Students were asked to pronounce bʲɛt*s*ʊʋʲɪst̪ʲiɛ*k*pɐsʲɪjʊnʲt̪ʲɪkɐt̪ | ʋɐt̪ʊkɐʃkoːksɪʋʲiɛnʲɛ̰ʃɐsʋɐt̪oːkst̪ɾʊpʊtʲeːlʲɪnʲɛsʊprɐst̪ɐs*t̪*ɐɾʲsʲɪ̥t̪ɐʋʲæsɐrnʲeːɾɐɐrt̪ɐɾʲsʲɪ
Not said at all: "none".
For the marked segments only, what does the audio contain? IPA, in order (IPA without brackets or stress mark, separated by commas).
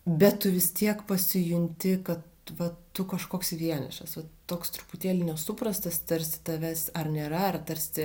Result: t, k, t̪